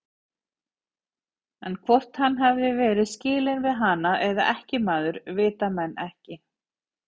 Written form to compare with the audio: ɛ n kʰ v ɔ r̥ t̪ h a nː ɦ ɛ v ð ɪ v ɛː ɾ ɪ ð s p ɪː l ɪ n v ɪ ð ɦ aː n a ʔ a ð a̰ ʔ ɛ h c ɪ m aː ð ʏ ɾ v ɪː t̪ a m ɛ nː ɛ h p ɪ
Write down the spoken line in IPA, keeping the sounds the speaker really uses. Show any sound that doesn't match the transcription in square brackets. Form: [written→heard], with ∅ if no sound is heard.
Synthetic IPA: ɛ n kʰ v ɔ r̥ t̪ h a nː ɦ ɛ v ð ɪ v ɛː ɾ ɪ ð s [p→c] ɪː l ɪ n v ɪ ð ɦ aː n a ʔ [a→ɛ] ð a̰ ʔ ɛ h c ɪ m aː ð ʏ ɾ v ɪː t̪ a m ɛ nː ɛ h [p→c] ɪ